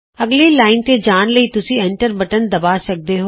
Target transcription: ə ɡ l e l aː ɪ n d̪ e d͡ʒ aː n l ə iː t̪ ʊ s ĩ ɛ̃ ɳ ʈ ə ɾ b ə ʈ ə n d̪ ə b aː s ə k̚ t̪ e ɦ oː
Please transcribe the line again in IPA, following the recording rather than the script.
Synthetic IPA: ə ɡ l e l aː ɪ n t̪ e d͡ʒ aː n l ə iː t̪ ʊ s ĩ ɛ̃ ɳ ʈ ə ɾ b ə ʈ ə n d̪ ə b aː s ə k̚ d̪ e ɦ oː

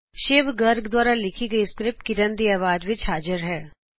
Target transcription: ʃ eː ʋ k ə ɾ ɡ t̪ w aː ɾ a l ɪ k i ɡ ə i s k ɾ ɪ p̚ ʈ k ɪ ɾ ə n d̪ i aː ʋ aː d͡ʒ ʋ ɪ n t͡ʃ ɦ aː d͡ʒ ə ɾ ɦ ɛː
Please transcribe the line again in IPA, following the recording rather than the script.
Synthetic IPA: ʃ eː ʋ ɡ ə ɾ ɡ d̪ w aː ɾ a l ɪ kʰ i ɡ ə i s k ɾ ɪ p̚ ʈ k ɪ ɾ ə n d̪ i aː ʋ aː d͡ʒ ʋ ɪ t͡ʃ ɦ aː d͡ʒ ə ɾ ɦ ɛː

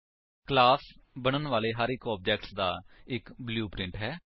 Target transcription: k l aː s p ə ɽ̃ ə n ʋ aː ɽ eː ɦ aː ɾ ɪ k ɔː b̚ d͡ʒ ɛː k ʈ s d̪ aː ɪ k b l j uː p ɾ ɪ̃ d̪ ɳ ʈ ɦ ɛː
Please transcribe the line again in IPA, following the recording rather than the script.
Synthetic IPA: k l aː s b ə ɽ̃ ə n ʋ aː l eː ɦ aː ɾ ɪ k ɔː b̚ d͡ʒ ɛː k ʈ s d̪ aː ɪ k b l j uː p ɾ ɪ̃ ɳ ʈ ɦ ɛː

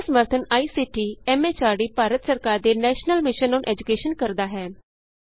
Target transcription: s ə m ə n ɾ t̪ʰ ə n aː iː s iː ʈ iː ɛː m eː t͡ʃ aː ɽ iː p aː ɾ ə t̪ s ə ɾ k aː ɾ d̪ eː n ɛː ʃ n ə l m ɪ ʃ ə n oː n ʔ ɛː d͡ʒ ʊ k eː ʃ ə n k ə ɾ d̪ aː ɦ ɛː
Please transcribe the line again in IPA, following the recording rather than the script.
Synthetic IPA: s ə m ə ɾ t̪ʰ ə n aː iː s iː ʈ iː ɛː m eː t͡ʃ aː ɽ iː p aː ɾ ə t̪ s ə ɾ k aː ɾ d̪ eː n ɛː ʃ n ə l m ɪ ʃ ə n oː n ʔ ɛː d͡ʒ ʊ k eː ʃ ə n k ə ɾ d̪ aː ɦ ɛː

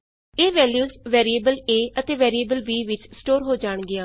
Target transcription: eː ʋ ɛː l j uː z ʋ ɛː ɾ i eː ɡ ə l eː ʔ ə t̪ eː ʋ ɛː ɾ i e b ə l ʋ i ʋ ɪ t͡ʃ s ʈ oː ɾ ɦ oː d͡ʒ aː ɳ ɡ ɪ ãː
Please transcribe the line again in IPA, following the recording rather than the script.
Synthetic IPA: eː ʋ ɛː l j uː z ʋ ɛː ɾ i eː b ə l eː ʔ ə t̪ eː ʋ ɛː ɾ i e b ə l ʋ iː ʋ ɪ t͡ʃ s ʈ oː ɾ ɦ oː d͡ʒ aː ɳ ɡ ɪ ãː

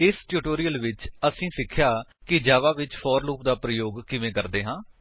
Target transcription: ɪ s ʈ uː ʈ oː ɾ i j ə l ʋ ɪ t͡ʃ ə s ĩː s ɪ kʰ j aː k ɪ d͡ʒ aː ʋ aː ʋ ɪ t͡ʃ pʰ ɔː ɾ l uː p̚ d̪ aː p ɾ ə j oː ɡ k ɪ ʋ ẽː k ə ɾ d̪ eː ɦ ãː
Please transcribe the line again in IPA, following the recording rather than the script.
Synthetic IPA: ɪ s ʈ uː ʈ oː ɾ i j ə l ʋ ɪ t͡ʃ ə s ĩː s ɪ kʰ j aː k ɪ d͡ʒ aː ʋ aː ʋ ɪ t͡ʃ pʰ ɔː ɾ l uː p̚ d̪ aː p ɾ ə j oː ɡ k ɪ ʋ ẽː k ə ɾ d̪ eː ɦ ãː

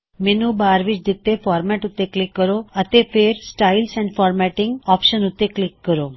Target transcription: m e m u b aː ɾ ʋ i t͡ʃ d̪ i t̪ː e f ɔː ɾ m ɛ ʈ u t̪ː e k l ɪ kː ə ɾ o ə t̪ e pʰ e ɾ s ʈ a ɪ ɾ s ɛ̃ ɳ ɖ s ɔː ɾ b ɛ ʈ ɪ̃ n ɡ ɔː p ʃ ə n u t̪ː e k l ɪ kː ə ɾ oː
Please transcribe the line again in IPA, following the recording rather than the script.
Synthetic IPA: m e n u b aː ɾ ʋ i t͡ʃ d̪ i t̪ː e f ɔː ɾ m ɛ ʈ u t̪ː e k l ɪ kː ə ɾ o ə t̪ e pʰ e ɾ s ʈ a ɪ l s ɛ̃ ɳ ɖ f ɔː ɾ m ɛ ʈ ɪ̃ ŋ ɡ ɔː p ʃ ə n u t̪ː e k l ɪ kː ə ɾ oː

